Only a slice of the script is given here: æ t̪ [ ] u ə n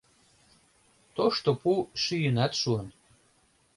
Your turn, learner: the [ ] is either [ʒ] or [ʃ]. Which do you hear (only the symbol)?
ʃ